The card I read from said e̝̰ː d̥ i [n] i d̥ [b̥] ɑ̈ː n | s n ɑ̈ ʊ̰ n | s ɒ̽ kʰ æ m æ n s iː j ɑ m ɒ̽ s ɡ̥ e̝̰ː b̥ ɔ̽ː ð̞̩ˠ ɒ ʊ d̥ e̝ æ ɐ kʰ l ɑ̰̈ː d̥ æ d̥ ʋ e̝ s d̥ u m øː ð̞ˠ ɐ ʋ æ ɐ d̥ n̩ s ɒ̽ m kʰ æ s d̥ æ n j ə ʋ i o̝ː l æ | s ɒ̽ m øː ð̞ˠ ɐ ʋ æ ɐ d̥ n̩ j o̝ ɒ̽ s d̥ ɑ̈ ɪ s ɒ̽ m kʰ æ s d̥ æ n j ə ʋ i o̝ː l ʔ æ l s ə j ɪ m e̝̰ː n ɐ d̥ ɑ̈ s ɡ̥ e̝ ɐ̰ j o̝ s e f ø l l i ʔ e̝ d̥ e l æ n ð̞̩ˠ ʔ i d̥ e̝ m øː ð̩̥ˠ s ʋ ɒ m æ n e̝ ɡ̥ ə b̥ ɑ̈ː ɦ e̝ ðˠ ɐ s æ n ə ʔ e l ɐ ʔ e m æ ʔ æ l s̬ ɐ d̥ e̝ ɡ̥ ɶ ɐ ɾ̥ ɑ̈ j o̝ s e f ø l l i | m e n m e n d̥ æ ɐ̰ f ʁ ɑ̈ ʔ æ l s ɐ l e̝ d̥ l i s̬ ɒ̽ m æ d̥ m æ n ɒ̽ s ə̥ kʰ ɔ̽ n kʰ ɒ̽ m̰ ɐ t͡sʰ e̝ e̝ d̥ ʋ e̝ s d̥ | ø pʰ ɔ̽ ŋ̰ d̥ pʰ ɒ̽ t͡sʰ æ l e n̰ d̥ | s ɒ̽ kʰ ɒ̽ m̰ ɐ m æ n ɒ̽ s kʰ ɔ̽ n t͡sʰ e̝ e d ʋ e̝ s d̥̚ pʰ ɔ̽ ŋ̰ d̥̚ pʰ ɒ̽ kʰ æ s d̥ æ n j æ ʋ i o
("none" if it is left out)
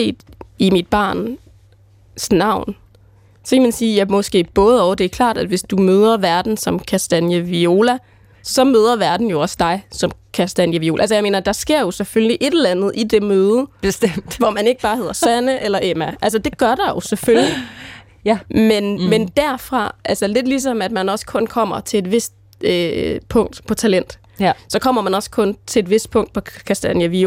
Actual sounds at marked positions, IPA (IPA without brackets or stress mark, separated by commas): m, b̥